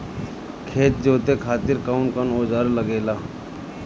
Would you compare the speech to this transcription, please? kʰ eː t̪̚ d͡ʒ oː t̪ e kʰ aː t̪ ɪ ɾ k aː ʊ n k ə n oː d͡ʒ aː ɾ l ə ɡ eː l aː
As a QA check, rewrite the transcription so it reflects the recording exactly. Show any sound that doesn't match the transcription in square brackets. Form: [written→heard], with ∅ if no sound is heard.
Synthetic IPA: kʰ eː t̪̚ d͡ʒ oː t̪ e kʰ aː t̪ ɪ ɾ k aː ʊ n k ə n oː d͡ʒ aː ɾ l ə ɡ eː l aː